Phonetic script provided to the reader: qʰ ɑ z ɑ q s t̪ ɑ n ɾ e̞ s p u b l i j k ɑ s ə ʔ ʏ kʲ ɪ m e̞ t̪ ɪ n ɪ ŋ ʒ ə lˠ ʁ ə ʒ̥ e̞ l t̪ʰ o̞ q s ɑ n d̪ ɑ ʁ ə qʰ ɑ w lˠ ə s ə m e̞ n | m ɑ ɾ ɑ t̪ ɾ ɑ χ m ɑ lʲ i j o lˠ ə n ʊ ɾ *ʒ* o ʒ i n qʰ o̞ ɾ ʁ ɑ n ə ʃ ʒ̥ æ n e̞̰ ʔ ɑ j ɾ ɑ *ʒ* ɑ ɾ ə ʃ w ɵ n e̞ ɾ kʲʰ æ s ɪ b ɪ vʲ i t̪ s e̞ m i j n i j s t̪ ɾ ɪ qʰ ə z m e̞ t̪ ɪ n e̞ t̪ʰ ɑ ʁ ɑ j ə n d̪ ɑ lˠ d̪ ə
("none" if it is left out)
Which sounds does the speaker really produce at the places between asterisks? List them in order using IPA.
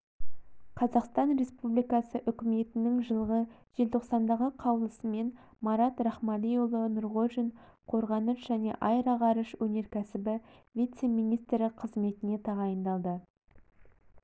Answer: ʁ, ʁ

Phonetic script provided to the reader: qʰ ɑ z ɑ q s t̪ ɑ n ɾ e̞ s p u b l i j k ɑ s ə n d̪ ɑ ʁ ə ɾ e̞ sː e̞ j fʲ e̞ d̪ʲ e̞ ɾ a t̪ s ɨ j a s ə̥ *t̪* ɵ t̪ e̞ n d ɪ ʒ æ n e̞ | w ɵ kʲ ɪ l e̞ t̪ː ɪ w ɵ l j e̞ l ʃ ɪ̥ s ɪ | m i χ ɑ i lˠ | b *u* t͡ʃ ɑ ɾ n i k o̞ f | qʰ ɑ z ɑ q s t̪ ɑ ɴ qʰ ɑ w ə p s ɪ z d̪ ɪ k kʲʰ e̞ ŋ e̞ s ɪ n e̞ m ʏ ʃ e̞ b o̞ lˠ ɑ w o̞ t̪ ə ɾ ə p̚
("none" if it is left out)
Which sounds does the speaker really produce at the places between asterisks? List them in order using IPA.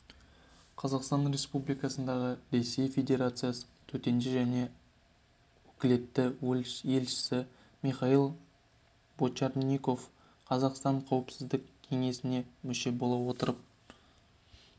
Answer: t̪ʰ, o

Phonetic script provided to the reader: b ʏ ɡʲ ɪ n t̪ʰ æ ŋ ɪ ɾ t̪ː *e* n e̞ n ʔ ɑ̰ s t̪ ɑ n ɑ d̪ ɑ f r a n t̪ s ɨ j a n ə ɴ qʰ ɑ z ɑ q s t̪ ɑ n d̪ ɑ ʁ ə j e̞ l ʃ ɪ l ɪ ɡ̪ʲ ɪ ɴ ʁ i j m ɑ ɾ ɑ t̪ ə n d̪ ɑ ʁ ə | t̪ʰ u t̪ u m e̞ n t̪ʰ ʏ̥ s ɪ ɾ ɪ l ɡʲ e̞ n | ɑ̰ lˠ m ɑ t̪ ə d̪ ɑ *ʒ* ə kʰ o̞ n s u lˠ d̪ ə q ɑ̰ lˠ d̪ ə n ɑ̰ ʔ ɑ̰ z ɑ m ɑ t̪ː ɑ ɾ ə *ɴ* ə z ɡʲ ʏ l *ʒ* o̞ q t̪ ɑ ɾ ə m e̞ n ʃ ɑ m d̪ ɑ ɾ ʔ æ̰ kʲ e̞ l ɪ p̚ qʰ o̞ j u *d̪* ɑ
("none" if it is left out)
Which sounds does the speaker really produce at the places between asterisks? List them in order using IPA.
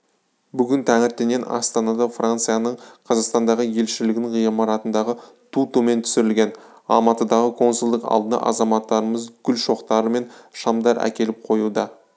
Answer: e, ʁ, m, ʃ, d̪

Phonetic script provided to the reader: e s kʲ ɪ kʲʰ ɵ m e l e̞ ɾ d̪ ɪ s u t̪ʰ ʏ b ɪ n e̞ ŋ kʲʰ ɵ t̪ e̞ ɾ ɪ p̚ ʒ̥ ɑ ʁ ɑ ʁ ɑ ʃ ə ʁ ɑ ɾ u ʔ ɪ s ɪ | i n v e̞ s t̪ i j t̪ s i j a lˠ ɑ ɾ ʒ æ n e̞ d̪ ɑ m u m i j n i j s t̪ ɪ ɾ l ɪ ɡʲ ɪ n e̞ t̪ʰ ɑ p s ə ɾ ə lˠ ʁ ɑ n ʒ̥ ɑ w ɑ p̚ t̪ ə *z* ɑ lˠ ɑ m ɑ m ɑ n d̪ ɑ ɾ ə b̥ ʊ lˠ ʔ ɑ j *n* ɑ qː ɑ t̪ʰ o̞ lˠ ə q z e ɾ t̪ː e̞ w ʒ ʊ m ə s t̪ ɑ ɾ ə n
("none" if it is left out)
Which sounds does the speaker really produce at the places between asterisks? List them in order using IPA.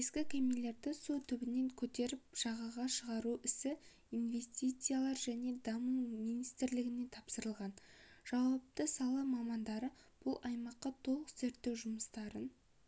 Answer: s, m

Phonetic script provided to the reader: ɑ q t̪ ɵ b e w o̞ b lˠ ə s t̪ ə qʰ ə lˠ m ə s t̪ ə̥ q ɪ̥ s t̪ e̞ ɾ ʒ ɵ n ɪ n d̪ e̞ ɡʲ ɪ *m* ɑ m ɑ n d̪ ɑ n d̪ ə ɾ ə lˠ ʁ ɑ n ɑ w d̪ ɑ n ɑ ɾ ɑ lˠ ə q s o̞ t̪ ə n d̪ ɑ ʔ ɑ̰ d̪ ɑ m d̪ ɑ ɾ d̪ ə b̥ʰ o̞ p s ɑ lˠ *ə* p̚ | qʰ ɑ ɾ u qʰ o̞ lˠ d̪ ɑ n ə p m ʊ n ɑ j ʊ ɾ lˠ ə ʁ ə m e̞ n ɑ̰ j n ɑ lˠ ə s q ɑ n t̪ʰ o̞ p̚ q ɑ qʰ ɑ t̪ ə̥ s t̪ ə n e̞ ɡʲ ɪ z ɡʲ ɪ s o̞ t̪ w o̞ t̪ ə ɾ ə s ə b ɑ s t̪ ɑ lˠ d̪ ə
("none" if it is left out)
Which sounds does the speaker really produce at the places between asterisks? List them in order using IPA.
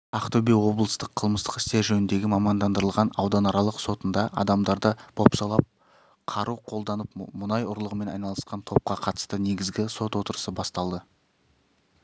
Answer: m, ɑ

